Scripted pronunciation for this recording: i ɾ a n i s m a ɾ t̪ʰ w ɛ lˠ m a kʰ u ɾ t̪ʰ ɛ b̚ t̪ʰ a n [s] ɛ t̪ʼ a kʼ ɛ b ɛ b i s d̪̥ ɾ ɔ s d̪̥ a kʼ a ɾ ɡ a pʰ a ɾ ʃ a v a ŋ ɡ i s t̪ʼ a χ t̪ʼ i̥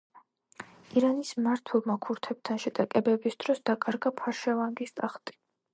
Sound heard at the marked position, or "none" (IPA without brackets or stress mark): ʃ